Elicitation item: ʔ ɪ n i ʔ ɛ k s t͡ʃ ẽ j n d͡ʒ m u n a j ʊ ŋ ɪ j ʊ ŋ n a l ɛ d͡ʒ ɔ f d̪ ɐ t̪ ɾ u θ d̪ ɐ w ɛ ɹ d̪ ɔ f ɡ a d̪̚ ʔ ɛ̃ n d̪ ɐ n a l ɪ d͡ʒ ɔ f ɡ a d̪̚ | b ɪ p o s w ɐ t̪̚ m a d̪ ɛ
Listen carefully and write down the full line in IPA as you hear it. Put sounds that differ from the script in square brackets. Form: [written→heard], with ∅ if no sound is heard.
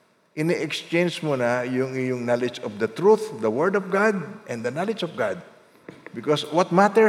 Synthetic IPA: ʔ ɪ n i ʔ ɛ k s t͡ʃ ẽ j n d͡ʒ m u n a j ʊ ŋ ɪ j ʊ ŋ n a l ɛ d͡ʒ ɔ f d̪ ɐ t̪ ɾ u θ d̪ ɐ w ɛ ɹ d̪ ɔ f ɡ a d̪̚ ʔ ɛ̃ n d̪ ɐ n a l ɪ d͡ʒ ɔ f ɡ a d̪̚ | b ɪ [p→k] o s w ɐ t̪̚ m a [d̪→t̪] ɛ